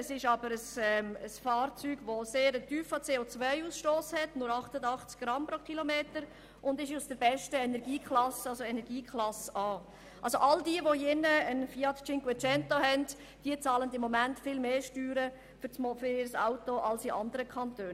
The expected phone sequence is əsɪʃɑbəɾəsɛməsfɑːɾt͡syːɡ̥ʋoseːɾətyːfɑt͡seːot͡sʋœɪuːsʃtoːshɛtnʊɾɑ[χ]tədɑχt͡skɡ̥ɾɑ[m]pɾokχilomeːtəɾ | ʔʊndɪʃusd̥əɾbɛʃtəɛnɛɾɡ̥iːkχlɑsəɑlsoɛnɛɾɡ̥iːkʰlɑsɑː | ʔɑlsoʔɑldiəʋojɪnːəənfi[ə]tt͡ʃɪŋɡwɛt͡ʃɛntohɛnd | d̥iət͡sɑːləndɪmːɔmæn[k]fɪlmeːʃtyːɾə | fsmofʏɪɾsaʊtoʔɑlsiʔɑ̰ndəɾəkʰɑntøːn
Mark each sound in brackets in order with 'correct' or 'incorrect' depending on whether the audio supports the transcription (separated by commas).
correct, correct, incorrect, incorrect